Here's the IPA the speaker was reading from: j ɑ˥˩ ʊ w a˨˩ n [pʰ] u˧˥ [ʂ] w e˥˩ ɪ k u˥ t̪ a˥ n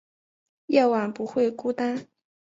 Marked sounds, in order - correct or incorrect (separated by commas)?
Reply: incorrect, incorrect